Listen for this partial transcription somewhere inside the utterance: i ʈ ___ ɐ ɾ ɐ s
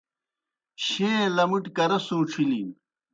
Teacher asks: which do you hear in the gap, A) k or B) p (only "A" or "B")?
A